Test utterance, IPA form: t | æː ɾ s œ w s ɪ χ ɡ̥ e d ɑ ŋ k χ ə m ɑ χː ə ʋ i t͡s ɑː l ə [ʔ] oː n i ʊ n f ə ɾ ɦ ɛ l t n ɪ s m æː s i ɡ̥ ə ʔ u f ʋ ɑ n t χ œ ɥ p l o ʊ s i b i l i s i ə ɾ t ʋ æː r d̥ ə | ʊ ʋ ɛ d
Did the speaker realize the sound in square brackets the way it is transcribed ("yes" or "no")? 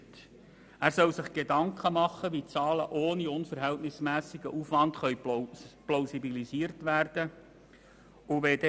yes